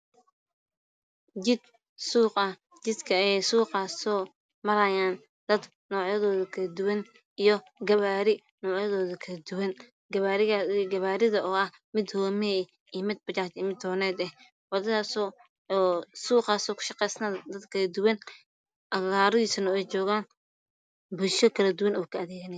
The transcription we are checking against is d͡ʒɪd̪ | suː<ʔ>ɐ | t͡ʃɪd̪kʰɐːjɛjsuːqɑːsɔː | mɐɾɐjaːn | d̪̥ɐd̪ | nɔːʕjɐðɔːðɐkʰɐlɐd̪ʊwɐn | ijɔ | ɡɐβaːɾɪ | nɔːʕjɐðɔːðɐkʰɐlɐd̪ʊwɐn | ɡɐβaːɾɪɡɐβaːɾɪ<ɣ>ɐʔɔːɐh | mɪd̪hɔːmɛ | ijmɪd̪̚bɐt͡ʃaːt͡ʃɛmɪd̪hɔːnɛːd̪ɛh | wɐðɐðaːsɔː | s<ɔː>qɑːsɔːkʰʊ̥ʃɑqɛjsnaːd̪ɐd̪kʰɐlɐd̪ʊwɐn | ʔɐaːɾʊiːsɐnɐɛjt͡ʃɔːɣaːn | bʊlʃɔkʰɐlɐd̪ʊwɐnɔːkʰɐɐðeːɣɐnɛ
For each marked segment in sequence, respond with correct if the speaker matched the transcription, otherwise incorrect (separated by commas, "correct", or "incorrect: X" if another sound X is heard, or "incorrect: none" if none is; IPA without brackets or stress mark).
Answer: incorrect: q, incorrect: ð, incorrect: uː